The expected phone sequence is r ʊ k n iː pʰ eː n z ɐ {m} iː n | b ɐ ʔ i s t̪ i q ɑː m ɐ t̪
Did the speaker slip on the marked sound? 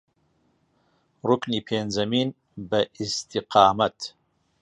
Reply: no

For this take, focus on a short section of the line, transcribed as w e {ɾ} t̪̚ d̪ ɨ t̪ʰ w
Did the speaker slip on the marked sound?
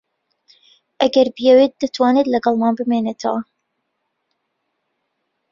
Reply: yes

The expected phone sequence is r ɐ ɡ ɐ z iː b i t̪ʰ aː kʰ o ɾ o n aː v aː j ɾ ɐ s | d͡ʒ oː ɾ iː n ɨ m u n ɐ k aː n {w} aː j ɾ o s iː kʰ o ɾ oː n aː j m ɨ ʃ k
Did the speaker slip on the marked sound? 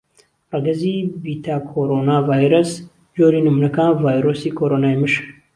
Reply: yes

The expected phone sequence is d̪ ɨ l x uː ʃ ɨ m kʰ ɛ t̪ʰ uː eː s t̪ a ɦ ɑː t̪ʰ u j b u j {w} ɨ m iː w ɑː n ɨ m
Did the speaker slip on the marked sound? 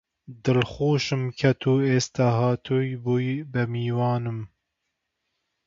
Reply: yes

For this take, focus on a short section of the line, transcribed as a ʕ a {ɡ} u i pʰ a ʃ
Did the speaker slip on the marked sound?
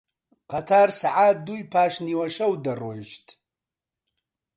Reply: yes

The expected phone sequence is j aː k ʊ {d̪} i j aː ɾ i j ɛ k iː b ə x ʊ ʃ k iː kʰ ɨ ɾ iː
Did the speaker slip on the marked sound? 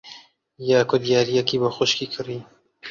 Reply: no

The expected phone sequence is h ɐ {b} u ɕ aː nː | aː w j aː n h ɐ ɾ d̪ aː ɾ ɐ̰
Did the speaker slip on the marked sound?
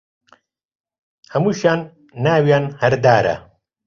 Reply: yes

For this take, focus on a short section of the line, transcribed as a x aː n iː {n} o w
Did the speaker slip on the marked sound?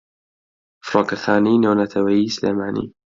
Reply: no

